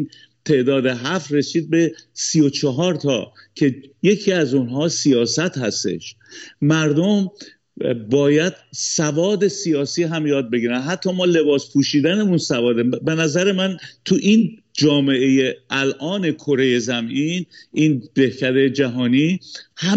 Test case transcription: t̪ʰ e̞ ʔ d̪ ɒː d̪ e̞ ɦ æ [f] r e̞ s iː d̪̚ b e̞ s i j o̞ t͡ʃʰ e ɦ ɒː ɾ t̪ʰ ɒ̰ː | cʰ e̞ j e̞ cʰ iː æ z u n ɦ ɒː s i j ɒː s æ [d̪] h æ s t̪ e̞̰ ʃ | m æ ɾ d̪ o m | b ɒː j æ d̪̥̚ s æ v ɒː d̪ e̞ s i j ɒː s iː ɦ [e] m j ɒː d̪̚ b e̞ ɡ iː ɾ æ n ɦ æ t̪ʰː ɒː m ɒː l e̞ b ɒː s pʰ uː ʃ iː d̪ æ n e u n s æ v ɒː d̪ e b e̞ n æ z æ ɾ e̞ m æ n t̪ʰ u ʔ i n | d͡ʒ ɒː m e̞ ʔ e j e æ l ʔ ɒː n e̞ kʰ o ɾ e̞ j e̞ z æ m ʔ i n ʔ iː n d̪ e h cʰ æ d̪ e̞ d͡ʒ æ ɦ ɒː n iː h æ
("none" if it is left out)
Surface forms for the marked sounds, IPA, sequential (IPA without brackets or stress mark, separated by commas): f, t̪, æ